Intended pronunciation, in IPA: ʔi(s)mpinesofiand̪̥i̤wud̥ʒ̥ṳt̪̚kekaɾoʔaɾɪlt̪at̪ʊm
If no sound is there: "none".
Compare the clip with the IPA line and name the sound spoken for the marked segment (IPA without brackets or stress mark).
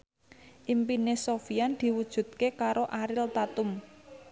none